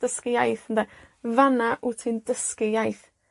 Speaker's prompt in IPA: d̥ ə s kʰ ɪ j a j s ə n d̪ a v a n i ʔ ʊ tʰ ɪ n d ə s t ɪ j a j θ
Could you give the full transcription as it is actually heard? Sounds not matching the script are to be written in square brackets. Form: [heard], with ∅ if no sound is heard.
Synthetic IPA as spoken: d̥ ə s [k] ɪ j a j [θ] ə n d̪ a v a n [a] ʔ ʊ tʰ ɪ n d ə s [k] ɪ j a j θ